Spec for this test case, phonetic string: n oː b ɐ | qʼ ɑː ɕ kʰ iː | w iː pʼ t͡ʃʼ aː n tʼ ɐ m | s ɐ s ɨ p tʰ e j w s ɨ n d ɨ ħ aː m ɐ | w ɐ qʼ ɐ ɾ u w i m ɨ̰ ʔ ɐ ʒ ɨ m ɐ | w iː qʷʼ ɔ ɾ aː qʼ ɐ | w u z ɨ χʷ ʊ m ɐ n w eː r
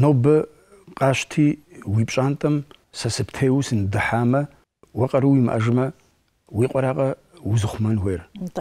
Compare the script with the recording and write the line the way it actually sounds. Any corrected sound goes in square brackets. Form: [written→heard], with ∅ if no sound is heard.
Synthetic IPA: n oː b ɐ | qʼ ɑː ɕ [kʰ→tʰ] iː | w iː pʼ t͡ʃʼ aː n tʼ ɐ m | s ɐ s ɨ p tʰ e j w s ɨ n d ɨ ħ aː m ɐ | w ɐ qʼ ɐ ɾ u w i m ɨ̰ ʔ ɐ ʒ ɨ m ɐ | w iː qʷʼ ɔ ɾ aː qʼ ɐ | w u z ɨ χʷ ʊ m ɐ n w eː r